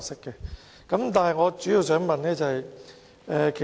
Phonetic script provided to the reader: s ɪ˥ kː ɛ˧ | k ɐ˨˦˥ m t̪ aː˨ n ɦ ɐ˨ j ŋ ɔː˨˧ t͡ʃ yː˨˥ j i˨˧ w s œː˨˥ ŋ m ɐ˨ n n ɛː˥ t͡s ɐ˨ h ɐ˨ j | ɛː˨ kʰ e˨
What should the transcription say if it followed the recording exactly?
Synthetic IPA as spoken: s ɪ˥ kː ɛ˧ | k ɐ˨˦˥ m t̪ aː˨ n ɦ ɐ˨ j ŋ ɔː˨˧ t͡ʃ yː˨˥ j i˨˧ w s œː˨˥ ŋ m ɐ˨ n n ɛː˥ t͡s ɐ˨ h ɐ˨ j | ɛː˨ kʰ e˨